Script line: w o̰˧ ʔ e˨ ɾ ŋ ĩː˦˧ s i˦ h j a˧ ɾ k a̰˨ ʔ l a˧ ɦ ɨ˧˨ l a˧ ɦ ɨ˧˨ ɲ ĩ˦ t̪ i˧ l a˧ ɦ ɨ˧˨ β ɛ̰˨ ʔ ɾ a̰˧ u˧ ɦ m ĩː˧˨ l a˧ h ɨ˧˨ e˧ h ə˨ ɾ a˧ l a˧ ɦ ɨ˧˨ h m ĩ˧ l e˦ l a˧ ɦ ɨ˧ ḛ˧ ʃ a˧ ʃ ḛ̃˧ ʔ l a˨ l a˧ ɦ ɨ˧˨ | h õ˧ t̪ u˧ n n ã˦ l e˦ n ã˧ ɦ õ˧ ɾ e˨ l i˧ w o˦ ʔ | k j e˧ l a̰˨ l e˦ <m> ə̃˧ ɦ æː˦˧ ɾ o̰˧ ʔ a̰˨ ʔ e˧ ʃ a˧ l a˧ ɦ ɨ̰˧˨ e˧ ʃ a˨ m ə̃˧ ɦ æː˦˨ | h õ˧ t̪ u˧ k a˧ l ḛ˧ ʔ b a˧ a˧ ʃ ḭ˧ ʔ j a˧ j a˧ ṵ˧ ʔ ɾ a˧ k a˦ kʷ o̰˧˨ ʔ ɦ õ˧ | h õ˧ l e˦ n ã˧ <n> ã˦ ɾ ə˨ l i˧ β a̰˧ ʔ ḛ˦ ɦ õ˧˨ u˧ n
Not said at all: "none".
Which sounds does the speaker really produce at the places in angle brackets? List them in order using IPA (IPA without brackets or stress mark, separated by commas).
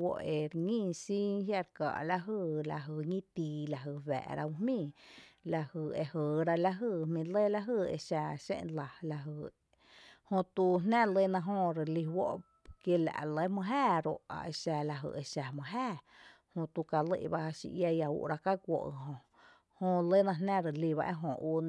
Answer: m, n